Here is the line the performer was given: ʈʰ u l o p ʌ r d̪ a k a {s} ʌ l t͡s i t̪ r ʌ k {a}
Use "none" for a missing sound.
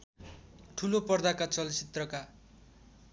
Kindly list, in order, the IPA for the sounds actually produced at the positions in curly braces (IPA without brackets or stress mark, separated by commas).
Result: t͡s, a